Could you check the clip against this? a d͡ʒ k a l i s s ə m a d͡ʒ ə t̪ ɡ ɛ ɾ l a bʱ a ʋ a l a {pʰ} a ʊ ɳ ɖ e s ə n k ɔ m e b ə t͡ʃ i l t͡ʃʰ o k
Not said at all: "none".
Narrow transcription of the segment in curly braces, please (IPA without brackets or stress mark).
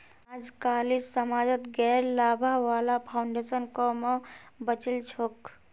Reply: pʰ